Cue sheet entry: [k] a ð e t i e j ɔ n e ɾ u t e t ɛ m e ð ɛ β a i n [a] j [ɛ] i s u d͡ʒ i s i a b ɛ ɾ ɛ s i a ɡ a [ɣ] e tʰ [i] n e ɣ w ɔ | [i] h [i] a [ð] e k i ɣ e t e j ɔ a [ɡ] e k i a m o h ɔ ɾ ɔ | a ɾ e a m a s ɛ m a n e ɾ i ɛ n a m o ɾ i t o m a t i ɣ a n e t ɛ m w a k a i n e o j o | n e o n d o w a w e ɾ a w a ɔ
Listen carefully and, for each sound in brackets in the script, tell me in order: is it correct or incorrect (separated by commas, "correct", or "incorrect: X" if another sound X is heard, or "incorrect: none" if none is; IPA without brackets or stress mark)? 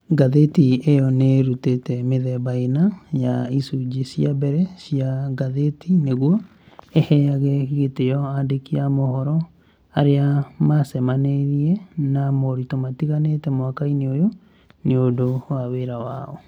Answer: incorrect: ɡ, correct, incorrect: a, incorrect: ð, correct, incorrect: e, incorrect: ɛ, incorrect: ɣ, incorrect: d